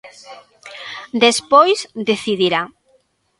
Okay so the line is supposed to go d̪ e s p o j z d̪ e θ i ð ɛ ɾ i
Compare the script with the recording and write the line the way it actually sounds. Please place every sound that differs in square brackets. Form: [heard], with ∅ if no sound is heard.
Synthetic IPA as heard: d̪ e s p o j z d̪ e θ i ð [i] ɾ [a]